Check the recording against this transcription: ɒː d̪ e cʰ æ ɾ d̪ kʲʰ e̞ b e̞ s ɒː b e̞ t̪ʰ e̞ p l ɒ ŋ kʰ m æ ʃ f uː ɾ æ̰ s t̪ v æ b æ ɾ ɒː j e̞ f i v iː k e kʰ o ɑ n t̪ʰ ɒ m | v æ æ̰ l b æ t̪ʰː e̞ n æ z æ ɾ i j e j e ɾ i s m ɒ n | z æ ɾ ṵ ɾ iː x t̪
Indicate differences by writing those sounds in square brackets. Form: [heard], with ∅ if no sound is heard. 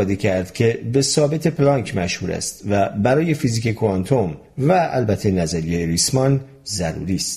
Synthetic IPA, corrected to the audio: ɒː d̪ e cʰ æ ɾ d̪ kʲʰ e̞ b e̞ s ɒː b e̞ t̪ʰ e̞ p l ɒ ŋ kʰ m æ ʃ [h] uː ɾ æ̰ s t̪ v æ b æ ɾ ɒː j e̞ f i [z] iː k e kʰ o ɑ n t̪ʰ [o] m | v æ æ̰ l b æ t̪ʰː e̞ n æ z æ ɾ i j e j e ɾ i s m ɒ n | z æ ɾ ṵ ɾ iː [s] t̪